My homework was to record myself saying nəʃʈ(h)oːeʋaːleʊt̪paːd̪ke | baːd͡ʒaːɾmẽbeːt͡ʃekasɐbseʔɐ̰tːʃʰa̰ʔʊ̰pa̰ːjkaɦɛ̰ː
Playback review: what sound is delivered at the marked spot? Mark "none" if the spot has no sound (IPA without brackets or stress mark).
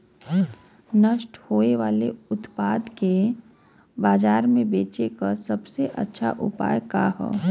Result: h